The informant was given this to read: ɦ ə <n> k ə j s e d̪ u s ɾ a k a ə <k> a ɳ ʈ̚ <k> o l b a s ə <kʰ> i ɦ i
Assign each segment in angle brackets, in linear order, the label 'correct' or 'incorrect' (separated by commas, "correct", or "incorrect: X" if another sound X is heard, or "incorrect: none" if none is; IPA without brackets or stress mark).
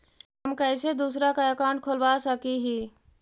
incorrect: m, correct, incorrect: kʰ, incorrect: k